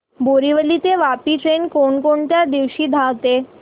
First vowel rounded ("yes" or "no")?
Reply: yes